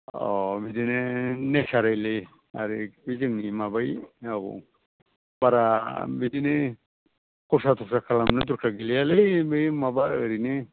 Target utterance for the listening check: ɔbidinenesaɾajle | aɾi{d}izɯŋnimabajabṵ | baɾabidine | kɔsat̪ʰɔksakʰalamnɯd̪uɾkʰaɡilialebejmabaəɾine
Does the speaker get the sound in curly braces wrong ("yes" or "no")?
yes